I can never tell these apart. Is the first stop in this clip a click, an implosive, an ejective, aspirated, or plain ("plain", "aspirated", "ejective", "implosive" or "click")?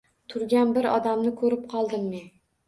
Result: aspirated